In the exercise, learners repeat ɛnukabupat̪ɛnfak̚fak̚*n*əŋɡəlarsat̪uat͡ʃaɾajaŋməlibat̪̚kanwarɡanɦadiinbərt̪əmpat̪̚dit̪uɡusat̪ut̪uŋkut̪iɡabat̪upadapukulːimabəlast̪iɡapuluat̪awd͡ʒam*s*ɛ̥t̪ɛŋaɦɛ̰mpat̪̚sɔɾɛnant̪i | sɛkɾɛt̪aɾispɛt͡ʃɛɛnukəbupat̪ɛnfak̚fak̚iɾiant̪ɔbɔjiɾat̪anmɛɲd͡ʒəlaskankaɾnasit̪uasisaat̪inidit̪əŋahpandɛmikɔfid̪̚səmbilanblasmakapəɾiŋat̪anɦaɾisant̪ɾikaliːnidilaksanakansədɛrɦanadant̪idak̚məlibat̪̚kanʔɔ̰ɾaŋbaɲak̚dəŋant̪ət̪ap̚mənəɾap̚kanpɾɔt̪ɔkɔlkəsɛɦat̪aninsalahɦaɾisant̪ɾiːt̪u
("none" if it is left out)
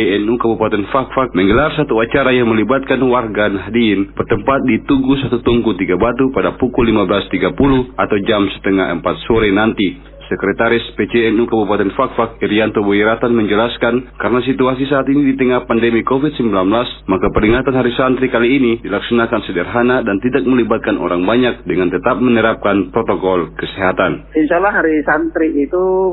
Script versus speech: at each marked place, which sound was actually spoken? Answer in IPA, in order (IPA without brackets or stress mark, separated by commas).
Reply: m, s